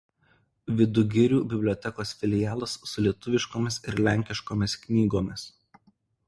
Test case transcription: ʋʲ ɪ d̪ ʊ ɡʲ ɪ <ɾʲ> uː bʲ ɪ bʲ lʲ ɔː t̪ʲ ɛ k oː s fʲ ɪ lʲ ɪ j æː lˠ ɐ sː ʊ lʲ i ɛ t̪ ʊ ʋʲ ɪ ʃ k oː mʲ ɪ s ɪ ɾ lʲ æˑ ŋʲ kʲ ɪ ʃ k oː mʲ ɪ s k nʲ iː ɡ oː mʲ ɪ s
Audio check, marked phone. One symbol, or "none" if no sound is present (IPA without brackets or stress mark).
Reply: ɾʲ